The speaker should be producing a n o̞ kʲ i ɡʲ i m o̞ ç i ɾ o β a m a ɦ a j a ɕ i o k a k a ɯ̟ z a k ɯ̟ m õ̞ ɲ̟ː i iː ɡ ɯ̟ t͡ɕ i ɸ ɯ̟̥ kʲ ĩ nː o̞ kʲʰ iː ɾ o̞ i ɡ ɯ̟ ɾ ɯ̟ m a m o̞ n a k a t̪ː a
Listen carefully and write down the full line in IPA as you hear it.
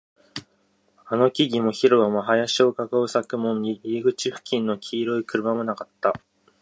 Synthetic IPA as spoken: a n o̞ kʲ i ɡʲ i m o̞ ç i ɾ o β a m a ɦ a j a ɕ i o k a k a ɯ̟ s a k ɯ̟ m õ̞ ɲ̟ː i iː ɡ ɯ̟ t͡ɕ i ɸ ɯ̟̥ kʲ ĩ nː o̞ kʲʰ iː ɾ o̞ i k ɯ̟ ɾ ɯ̟ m a m o̞ n a k a t̪ː a

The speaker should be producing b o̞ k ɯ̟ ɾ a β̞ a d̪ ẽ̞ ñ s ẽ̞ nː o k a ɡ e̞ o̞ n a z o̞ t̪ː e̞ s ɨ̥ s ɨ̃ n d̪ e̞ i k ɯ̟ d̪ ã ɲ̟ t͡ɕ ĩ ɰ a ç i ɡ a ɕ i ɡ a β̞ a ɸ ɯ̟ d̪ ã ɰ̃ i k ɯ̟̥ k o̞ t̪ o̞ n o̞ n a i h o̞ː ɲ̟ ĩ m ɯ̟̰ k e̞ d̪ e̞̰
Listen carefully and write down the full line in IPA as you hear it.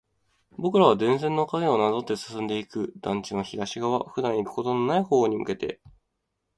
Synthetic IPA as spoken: b o̞ k ɯ̟ ɾ a β̞ a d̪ ẽ̞ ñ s ẽ̞ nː o k a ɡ e̞ o̞ n a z o̞ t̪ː e̞ s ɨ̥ s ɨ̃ n d̪ e̞ i k ɯ̟ d̪ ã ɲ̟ t͡ɕ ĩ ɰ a ç i ɡ a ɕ i ɡ a β̞ a ɸ ɯ̟ d̪ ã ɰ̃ i k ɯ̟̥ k o̞ t̪ o̞ n o̞ n a i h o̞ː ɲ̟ i m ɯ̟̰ k e̞ t̪ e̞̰

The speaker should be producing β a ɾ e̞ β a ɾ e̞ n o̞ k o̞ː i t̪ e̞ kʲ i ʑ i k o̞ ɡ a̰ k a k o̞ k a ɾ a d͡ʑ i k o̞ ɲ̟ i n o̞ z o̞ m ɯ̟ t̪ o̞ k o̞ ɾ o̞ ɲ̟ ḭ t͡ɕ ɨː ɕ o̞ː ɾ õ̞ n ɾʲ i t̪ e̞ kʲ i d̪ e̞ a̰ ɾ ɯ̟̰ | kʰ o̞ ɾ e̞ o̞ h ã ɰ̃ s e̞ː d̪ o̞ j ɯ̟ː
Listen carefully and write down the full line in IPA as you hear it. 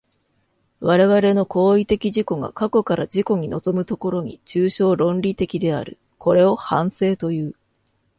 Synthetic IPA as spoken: β a ɾ e̞ β a ɾ e̞ n o̞ k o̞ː i t̪ e̞ kʲ i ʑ i k o̞ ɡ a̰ k a k o̞ k a ɾ a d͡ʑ i k o̞ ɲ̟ i n o̞ z o̞ m ɯ̟ t̪ o̞ k o̞ ɾ o̞ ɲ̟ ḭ t͡ɕ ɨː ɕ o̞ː ɾ õ̞ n ɾʲ i t̪ e̞ kʲ i d̪ e̞ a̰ ɾ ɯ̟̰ | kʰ o̞ ɾ e̞ o̞ h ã ɰ̃ s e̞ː t̪ o̞ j ɯ̟ː

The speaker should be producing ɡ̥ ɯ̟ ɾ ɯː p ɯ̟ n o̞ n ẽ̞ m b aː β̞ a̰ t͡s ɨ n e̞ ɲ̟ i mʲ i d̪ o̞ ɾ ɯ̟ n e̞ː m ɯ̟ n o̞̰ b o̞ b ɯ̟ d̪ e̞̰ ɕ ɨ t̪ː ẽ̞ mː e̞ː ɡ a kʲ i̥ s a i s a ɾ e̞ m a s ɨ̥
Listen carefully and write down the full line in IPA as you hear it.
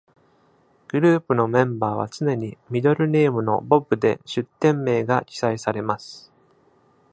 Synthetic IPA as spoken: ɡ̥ ɯ̟ ɾ ɯː p ɯ̟ n o̞ m ẽ̞ m b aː β̞ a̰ t͡s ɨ n e̞ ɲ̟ i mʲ i d̪ o̞ ɾ ɯ̟ n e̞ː m ɯ̟ n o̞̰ b o̞ b ɯ̟ d̪ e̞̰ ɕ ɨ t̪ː ẽ̞ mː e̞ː ɡ a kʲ i̥ s a i s a ɾ e̞ m a s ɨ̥

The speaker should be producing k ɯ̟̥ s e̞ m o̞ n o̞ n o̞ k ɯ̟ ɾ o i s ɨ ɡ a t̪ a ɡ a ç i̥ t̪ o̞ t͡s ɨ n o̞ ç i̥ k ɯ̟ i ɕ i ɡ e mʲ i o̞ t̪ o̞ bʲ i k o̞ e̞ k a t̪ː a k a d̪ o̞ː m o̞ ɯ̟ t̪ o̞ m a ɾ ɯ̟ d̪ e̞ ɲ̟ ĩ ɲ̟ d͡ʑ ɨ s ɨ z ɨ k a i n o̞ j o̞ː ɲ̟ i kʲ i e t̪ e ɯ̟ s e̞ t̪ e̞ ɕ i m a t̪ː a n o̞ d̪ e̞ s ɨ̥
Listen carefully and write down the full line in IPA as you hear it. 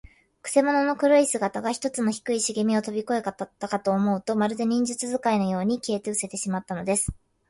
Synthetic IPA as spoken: k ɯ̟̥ s e̞ m o̞ n o̞ n o̞ k ɯ̟ ɾ o i s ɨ ɡ a t̪ a ɡ a ç i̥ t̪ o̞ t͡s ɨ n o̞ ç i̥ k ɯ̟ i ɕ i ɡ e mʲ i o̞ t̪ o̞ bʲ i k o̞ e̞ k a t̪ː a k a t̪ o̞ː m o̞ ɯ̟ t̪ o̞ m a ɾ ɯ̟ d̪ e̞ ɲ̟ ĩ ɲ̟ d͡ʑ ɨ t͡s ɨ z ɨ k a i n o̞ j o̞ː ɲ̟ i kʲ i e t̪ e ɯ̟ s e̞ t̪ e̞ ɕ i m a t̪ː a n o̞ d̪ e̞ s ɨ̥

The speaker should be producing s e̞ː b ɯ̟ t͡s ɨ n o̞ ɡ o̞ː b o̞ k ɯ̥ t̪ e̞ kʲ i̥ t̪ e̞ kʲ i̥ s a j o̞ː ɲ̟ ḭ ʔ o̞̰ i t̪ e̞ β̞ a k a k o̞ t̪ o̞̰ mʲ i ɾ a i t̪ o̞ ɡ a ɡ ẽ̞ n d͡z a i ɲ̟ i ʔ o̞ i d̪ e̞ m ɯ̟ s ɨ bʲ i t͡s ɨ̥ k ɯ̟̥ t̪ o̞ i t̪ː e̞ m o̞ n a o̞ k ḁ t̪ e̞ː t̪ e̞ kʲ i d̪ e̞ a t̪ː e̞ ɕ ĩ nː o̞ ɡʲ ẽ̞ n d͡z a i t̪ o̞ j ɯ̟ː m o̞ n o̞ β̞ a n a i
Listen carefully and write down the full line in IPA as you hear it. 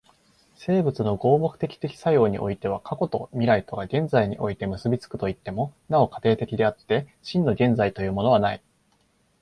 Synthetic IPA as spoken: s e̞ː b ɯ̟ t͡s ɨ n o̞ ɡ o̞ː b o̞ k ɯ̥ t̪ e̞ kʲ i̥ t̪ e̞ kʲ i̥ s a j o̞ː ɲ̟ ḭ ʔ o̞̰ i t̪ e̞ β̞ a k a k o̞ t̪ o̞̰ mʲ i ɾ a i t̪ o̞ ɡ a ɡ ẽ̞ n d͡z a i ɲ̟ i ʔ o̞ i t̪ e̞ m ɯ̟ s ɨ bʲ i t͡s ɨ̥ k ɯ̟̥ t̪ o̞ i t̪ː e̞ m o̞ n a o̞ k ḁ t̪ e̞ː t̪ e̞ kʲ i d̪ e̞ a t̪ː e̞ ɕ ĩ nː o̞ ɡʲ ẽ̞ n d͡z a i t̪ o̞ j ɯ̟ː m o̞ n o̞ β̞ a n a i

